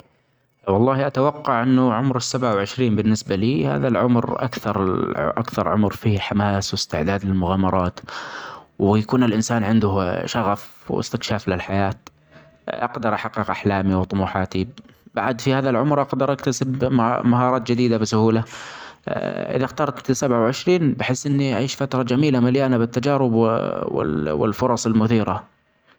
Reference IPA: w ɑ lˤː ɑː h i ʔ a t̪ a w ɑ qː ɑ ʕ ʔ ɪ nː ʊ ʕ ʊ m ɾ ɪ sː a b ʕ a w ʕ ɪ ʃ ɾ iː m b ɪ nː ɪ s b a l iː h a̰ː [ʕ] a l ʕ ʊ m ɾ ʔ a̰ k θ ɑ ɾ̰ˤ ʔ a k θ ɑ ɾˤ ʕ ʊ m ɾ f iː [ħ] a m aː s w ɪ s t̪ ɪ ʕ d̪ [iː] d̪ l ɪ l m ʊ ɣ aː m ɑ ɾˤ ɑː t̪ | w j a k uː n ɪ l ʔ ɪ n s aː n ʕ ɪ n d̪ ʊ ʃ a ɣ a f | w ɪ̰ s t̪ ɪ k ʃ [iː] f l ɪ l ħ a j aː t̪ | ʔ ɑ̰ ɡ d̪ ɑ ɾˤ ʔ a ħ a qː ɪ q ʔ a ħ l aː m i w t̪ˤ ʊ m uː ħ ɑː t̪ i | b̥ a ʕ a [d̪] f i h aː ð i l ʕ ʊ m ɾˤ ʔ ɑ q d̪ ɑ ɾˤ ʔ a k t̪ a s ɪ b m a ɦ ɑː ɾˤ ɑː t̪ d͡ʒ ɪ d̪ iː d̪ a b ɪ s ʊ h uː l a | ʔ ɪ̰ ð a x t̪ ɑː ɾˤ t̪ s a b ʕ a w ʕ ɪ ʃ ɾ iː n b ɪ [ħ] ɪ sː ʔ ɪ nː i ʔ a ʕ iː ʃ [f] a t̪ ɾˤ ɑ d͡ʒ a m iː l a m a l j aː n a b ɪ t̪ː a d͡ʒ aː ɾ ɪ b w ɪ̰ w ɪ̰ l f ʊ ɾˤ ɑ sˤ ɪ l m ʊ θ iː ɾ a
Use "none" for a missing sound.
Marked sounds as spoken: ð, ħ, aː, aː, d̪, ħ, f

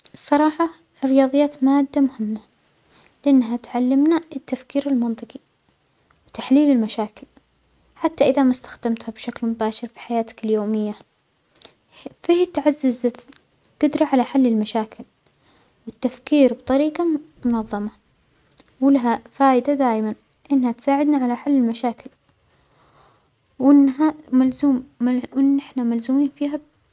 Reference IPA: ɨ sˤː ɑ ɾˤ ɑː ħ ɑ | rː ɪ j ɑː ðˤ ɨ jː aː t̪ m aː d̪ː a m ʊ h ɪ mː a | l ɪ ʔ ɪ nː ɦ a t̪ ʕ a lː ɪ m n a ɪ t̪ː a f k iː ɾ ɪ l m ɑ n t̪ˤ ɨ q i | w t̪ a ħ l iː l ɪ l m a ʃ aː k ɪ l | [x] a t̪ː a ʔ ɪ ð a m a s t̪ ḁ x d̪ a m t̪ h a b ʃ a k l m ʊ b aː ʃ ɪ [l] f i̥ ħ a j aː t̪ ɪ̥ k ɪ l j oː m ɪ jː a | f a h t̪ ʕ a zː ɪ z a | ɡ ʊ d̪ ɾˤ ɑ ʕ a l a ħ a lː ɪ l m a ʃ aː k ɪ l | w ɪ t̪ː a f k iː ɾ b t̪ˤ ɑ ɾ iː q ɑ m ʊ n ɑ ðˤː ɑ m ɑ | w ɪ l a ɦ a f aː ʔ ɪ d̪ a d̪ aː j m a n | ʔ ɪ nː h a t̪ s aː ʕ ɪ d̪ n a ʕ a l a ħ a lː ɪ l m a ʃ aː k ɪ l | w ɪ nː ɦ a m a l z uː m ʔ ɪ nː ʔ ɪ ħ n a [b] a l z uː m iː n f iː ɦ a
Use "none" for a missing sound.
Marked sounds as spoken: ħ, ɾ, m

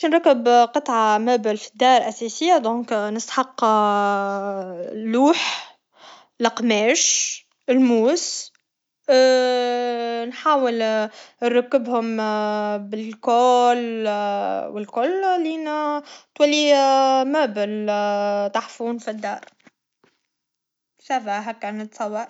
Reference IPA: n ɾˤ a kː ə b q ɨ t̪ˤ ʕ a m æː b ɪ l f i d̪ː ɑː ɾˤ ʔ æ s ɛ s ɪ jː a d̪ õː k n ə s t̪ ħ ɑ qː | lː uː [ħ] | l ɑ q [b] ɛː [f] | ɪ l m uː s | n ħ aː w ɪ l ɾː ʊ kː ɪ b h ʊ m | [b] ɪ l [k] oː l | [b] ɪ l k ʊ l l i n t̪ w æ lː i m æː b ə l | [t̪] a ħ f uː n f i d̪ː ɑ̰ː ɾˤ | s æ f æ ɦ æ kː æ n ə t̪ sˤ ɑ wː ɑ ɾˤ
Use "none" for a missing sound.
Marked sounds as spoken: ħ, m, ʃ, b, k, w, t̪

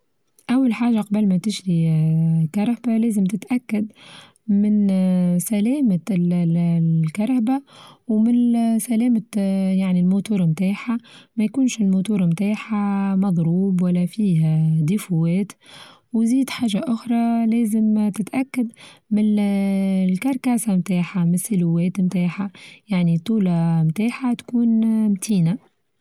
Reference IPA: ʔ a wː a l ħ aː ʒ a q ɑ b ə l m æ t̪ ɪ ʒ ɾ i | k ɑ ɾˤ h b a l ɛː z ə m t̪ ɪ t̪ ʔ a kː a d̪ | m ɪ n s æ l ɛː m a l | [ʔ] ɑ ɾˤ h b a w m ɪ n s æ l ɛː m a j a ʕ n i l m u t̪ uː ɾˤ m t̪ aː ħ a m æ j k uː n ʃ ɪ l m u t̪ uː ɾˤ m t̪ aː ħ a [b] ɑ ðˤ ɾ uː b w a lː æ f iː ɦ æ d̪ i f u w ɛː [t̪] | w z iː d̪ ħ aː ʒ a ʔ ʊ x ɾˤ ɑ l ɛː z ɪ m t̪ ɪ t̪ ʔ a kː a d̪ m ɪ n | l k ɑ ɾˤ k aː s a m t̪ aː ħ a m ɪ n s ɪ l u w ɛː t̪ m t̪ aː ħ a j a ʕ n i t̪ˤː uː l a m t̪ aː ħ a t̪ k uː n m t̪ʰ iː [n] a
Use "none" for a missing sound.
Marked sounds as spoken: k, m, t̪, n

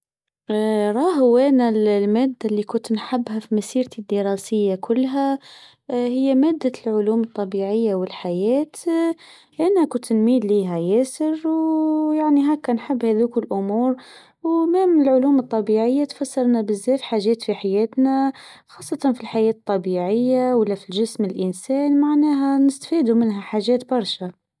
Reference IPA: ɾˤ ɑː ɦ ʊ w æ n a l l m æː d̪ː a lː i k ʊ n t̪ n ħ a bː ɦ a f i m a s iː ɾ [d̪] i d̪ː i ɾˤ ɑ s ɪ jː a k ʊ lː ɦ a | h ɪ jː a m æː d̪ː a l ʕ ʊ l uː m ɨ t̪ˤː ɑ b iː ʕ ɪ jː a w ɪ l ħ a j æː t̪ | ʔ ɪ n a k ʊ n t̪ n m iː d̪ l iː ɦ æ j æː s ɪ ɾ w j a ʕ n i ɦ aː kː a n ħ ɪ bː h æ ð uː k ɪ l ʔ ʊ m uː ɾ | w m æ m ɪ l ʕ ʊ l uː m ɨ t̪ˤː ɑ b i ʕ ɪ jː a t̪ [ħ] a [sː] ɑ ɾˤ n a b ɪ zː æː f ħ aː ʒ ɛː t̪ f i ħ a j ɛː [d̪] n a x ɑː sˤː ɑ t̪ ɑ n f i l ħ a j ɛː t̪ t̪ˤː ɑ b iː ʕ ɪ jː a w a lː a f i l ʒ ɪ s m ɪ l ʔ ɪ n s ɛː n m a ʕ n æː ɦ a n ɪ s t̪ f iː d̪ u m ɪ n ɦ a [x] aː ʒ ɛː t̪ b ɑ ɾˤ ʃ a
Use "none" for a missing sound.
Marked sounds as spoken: t̪, f, sː, t̪, ħ

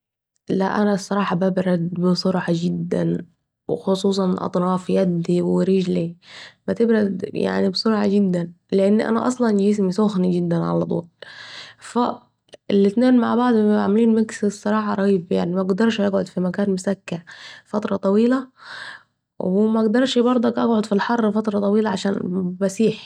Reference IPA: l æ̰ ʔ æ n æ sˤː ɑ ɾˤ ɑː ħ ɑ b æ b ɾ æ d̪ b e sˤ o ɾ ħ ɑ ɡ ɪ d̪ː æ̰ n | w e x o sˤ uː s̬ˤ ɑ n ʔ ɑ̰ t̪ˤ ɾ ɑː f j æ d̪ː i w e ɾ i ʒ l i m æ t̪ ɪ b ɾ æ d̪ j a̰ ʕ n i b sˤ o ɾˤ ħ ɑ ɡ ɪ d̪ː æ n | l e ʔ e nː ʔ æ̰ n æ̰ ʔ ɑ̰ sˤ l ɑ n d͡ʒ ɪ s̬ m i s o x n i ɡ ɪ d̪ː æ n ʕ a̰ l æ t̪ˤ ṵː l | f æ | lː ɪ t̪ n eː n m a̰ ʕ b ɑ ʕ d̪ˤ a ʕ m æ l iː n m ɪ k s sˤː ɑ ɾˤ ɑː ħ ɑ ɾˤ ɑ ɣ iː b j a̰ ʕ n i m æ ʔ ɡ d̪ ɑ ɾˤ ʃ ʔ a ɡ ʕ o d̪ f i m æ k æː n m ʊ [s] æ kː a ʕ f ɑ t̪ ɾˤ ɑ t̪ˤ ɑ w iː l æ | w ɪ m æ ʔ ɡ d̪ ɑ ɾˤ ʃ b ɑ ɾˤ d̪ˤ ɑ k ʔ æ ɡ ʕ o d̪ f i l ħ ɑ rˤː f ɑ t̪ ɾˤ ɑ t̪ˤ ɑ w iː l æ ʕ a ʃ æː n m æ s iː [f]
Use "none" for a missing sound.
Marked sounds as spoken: s, ħ

